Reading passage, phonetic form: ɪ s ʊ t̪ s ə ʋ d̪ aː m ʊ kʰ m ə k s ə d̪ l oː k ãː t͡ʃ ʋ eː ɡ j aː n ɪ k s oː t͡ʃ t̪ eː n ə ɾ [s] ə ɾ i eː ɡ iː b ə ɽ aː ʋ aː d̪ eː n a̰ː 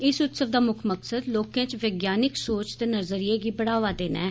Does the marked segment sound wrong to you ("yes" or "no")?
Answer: yes